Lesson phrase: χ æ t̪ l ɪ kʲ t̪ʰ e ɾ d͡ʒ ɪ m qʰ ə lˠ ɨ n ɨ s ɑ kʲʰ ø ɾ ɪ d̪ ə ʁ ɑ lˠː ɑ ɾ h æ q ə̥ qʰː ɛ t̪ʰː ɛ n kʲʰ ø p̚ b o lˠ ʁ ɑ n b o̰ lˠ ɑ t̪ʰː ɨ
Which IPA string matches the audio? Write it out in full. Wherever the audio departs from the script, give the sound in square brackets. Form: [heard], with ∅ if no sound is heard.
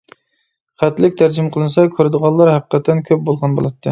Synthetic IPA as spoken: χ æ t̪ l ɪ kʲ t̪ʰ [æ] ɾ d͡ʒ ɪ m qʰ ə lˠ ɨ n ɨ s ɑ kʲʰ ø ɾ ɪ d̪ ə ʁ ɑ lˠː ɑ ɾ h æ q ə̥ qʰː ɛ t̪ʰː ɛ n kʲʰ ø p̚ b o lˠ ʁ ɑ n b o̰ lˠ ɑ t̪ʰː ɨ